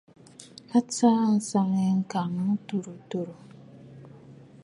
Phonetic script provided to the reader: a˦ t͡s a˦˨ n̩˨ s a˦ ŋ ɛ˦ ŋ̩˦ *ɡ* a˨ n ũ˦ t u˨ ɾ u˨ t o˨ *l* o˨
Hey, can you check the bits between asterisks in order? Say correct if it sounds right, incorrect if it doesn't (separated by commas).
incorrect, incorrect